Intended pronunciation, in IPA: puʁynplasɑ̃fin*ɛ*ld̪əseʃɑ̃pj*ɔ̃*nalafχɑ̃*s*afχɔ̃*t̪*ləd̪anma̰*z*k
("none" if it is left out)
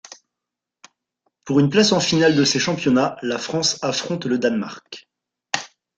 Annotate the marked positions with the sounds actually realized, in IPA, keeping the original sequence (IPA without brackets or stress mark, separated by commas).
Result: a, ɔ, s, t̪, ʁ